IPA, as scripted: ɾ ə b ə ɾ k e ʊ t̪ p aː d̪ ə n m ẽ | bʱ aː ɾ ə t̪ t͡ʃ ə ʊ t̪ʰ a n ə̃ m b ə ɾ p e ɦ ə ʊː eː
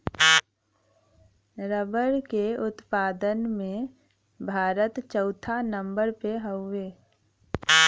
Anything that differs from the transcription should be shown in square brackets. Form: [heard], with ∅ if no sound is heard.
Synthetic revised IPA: ɾ ə b ə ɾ k e ʊ t̪ p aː d̪ ə n m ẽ | bʱ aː ɾ ə t̪ t͡ʃ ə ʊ t̪ʰ a n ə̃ m b ə ɾ p e ɦ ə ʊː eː